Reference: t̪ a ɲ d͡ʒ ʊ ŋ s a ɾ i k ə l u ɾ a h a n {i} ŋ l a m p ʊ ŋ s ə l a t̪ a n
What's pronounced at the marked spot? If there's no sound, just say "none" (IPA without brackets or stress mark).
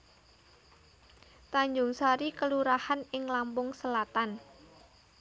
ɪ